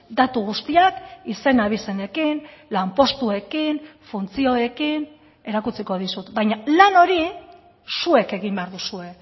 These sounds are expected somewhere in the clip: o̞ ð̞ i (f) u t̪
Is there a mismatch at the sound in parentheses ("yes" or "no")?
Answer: yes